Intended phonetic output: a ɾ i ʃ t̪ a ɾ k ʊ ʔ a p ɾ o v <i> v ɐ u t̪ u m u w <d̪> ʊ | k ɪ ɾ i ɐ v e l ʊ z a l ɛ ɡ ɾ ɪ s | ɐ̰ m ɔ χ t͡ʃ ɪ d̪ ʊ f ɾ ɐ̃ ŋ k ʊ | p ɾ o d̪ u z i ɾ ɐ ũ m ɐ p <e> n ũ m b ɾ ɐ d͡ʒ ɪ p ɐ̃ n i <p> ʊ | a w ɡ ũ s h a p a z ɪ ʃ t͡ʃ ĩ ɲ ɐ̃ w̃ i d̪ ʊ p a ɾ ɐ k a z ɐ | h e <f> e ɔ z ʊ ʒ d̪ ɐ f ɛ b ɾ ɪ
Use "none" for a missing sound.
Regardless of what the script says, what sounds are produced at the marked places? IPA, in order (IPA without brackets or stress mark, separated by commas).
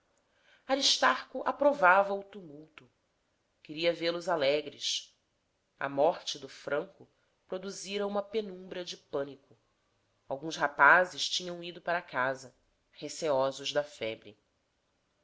a, t̪, e, k, s